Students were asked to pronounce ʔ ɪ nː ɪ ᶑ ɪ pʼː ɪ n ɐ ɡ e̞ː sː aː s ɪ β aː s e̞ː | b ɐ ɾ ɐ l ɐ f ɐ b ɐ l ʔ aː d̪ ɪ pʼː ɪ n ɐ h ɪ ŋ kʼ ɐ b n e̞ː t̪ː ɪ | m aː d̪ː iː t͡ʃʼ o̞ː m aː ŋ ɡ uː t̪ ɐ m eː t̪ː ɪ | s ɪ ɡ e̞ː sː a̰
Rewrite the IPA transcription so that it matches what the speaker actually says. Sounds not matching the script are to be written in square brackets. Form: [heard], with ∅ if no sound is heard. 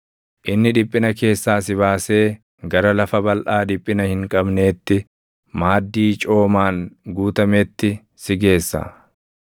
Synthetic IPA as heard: ʔ ɪ nː ɪ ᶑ ɪ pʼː ɪ n ɐ [k] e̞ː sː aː s ɪ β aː s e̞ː | [ɡ] ɐ ɾ ɐ l ɐ f ɐ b ɐ l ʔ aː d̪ ɪ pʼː ɪ n ɐ h ɪ ŋ kʼ ɐ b n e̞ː t̪ː ɪ | m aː d̪ː iː t͡ʃʼ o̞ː m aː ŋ ɡ uː t̪ ɐ m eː t̪ː ɪ | s ɪ ɡ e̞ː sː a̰